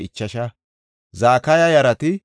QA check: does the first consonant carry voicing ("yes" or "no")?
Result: no